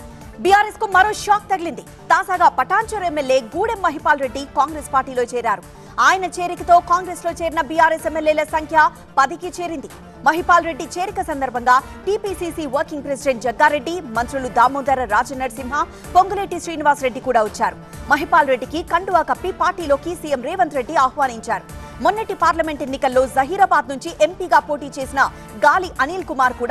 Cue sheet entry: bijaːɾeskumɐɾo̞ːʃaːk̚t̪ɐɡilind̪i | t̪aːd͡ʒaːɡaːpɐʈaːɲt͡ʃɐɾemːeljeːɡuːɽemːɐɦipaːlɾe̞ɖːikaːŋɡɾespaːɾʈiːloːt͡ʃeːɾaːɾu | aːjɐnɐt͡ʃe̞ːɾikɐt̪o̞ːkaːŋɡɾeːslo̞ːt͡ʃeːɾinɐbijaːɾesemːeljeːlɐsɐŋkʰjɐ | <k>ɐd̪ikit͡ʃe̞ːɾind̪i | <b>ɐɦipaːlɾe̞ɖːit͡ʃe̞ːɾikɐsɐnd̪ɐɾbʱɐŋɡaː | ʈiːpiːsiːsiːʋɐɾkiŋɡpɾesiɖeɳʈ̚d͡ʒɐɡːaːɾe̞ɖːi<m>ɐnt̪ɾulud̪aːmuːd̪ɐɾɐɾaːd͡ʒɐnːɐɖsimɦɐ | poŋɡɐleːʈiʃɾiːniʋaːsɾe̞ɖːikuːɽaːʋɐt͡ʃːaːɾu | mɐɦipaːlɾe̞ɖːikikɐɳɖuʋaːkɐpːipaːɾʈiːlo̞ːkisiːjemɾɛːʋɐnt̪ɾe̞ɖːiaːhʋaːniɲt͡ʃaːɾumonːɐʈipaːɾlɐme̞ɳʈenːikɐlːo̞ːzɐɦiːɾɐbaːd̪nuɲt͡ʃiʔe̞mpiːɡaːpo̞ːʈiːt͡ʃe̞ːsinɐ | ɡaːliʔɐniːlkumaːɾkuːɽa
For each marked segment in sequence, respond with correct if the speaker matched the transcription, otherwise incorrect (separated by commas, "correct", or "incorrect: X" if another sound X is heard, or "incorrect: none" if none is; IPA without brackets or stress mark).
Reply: incorrect: p, incorrect: m, correct